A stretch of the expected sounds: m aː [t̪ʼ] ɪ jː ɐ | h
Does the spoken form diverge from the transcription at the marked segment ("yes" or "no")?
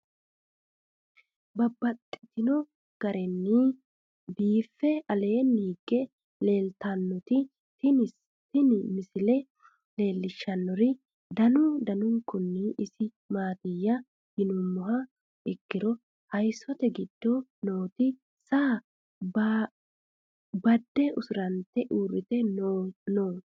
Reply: yes